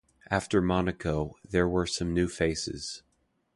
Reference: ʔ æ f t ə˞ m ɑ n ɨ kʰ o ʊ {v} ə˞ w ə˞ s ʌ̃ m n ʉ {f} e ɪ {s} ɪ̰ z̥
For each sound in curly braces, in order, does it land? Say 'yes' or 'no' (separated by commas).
no, yes, yes